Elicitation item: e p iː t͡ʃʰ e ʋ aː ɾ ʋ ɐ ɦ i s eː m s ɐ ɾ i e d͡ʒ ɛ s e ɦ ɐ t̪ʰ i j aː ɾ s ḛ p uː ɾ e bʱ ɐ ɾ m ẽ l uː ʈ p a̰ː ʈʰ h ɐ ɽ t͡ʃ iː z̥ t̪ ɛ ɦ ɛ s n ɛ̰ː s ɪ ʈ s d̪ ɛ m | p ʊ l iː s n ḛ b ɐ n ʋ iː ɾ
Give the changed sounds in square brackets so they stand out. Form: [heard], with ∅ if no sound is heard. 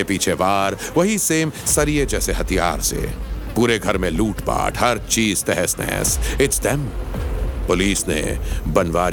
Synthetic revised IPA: e p iː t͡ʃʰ e ʋ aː ɾ ʋ ɐ ɦ i s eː m s ɐ ɾ i e d͡ʒ [ɛː] s e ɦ ɐ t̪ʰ i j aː ɾ s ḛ p uː ɾ e [ɡʱ] ɐ ɾ m ẽ l uː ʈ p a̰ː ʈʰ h ɐ [ɾ] t͡ʃ iː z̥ t̪ ɛ ɦ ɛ s n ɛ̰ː s ɪ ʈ s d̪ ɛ m | p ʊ l iː s n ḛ b ɐ n ʋ [aː] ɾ